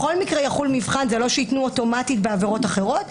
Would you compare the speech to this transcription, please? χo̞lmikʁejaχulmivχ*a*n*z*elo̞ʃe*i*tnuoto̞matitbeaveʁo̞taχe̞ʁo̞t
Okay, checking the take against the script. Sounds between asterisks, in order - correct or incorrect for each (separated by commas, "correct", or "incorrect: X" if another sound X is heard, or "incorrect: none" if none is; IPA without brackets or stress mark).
correct, correct, correct